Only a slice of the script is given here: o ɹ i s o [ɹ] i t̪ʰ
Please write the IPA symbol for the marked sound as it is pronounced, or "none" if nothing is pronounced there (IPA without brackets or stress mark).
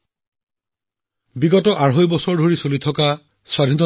l